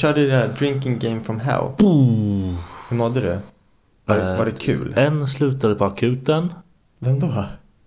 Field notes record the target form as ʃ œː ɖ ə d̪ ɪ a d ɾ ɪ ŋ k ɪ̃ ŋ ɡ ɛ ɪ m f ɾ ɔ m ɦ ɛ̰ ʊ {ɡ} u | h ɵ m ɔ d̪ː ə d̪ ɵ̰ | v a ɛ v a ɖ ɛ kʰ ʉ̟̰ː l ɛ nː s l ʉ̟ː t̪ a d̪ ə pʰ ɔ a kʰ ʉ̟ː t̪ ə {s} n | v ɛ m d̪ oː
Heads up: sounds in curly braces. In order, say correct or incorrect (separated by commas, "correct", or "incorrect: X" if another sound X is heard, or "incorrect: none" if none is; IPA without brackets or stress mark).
incorrect: none, incorrect: none